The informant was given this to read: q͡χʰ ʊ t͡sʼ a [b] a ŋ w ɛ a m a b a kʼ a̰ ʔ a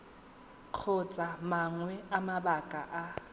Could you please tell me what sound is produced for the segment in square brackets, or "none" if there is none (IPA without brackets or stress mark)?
m